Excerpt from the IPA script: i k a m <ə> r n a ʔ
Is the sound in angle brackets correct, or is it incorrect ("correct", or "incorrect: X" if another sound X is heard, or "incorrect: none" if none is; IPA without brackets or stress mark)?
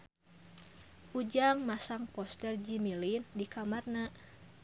incorrect: a